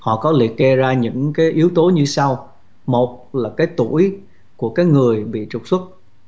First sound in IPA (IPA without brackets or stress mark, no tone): h